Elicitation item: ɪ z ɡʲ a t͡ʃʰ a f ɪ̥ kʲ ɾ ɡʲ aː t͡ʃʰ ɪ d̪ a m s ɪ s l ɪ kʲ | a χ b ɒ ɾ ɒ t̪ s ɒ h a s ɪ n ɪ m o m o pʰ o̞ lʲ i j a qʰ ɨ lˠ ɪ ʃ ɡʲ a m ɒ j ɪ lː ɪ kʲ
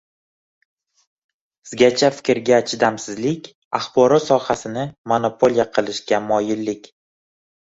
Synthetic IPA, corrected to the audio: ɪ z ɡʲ a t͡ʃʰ a f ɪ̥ kʲ ɾ ɡʲ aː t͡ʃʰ ɪ d̪ a m s ɪ z l ɪ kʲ | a χ b ɒ ɾ ɒ t̪ s ɒ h a s ɪ n ɪ m o n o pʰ o̞ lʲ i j a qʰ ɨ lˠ ɪ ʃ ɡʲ a m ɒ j ɪ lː ɪ kʲ